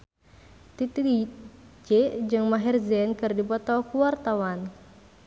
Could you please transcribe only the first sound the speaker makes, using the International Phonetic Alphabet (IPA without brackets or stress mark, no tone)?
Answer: t̪